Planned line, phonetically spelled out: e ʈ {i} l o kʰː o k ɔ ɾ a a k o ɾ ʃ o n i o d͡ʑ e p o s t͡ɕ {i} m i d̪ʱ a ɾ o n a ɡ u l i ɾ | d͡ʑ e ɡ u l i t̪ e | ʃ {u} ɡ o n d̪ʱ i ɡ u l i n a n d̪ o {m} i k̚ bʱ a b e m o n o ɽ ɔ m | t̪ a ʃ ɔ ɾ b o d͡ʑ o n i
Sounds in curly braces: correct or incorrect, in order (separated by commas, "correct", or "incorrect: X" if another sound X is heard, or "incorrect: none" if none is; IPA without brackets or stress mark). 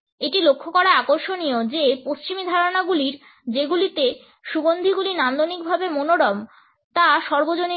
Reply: correct, correct, correct, incorrect: n